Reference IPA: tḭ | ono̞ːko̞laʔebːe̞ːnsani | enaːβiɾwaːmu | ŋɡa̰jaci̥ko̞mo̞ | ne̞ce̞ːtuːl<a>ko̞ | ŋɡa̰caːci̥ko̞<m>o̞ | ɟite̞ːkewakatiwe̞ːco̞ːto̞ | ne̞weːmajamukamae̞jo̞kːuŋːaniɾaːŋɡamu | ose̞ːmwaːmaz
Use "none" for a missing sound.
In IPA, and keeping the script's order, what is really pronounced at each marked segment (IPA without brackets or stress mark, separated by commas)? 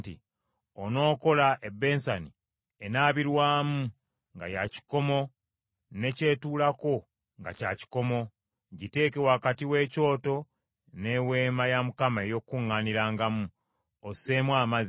a, m